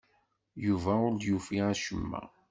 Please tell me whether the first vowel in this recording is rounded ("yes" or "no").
yes